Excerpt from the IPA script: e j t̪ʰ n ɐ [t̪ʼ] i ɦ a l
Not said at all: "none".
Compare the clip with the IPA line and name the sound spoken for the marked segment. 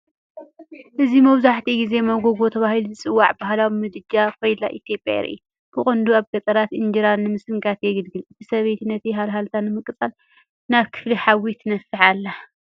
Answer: t̪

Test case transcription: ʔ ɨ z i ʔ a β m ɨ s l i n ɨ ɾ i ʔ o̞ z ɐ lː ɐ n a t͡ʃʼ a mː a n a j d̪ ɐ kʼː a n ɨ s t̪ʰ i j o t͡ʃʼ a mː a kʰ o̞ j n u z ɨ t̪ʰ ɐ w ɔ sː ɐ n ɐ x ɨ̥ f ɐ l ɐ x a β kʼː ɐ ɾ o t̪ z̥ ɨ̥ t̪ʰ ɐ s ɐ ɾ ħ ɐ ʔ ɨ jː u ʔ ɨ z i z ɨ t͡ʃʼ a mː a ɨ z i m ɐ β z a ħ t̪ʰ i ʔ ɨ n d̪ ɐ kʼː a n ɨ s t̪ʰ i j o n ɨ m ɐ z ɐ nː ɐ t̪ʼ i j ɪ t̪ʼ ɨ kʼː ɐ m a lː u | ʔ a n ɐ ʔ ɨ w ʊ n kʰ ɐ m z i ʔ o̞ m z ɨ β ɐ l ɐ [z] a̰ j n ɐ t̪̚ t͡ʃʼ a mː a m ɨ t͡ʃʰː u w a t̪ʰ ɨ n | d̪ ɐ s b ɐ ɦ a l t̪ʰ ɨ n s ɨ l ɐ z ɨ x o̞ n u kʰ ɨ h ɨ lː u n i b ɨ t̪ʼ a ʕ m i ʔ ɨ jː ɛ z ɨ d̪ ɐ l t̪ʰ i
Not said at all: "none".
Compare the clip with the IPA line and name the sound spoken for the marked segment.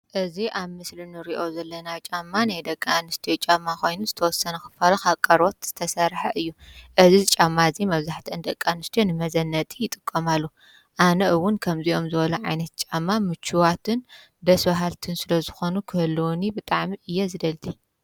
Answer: ʕ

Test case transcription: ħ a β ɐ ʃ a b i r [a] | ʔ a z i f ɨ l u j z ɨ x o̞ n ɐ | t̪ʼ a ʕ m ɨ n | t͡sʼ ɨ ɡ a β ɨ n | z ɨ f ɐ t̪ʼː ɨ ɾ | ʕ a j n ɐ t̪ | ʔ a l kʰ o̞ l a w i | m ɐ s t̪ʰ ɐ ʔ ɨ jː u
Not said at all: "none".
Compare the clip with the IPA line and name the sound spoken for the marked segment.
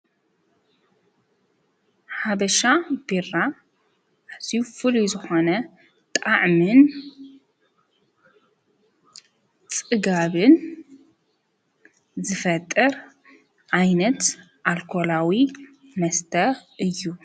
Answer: a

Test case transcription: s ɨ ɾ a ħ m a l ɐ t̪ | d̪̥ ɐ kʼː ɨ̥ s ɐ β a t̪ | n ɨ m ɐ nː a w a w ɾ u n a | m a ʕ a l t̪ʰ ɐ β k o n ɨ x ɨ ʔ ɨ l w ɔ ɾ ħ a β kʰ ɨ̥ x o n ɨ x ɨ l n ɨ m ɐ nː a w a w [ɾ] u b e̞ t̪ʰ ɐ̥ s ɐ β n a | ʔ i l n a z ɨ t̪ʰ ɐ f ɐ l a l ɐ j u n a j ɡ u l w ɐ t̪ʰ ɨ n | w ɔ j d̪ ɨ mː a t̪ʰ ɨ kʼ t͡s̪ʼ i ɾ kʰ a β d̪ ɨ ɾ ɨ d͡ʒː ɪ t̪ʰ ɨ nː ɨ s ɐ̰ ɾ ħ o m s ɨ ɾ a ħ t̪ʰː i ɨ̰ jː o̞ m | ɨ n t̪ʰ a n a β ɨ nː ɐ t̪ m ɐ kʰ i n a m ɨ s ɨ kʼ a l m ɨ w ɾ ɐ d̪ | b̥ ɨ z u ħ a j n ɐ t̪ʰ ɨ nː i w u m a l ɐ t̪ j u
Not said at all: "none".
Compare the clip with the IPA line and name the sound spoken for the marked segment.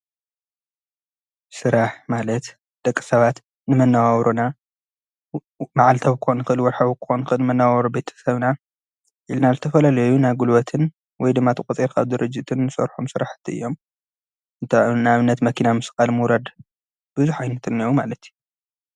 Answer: ɾ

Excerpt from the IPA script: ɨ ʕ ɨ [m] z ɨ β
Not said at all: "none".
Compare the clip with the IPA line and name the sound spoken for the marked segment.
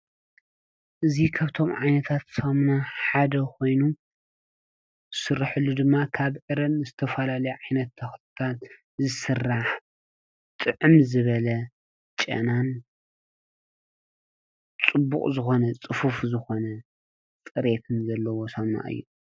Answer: m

